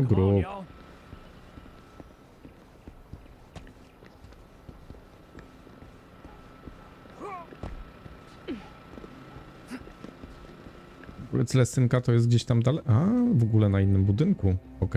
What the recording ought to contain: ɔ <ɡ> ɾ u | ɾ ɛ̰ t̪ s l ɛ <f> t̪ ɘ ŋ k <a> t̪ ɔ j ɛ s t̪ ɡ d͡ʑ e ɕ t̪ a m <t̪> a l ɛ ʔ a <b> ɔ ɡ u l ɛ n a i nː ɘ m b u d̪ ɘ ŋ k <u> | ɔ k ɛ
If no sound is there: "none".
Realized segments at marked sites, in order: ɡ, s, a, d̪, v, u

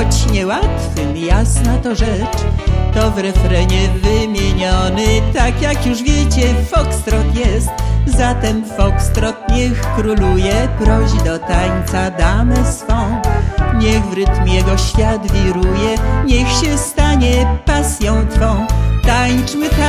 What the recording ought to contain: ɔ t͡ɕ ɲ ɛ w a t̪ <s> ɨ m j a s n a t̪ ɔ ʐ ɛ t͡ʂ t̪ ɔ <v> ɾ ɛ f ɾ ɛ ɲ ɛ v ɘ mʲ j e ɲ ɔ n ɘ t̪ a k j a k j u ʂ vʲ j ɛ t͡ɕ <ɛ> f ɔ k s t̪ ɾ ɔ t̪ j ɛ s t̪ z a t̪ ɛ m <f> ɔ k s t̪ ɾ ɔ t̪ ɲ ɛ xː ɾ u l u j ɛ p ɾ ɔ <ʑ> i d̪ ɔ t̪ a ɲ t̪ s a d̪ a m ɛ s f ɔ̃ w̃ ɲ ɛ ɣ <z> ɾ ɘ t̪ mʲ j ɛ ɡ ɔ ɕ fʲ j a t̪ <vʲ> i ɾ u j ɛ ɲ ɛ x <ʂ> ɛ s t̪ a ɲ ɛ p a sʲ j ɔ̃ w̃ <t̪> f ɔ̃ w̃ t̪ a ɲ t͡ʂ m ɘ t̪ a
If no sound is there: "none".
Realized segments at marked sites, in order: f, v, ɛ, f, ʑ, v, vʲ, ɕ, t̪

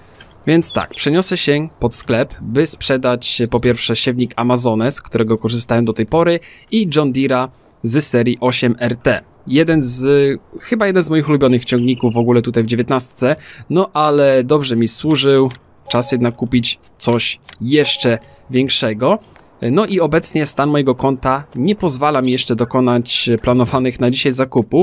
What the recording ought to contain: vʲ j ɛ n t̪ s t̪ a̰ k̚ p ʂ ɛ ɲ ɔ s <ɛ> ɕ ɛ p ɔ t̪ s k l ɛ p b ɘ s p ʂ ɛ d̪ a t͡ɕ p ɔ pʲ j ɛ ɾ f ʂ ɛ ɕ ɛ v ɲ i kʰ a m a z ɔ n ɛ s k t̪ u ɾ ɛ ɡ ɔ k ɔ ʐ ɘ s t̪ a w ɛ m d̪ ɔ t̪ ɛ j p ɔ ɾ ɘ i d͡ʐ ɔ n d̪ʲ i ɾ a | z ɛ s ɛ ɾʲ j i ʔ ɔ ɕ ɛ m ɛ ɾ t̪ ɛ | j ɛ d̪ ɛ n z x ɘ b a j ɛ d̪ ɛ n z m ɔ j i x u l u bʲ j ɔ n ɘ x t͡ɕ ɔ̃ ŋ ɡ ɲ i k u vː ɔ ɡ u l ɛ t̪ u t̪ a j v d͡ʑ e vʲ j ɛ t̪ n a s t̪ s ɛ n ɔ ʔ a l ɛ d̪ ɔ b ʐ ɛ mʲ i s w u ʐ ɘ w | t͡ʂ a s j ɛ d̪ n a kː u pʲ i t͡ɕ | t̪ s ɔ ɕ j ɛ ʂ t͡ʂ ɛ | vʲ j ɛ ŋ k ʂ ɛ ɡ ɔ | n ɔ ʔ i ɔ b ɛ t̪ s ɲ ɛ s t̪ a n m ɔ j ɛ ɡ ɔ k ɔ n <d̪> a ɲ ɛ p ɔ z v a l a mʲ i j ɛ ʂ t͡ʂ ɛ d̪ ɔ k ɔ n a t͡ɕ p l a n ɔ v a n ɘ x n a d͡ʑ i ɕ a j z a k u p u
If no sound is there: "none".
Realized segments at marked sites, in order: ɛ, t̪

